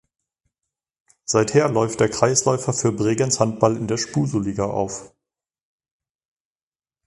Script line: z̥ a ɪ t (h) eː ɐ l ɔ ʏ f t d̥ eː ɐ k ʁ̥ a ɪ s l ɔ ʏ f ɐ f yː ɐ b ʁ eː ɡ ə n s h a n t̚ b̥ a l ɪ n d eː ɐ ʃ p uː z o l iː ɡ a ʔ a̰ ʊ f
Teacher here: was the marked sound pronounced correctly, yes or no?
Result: yes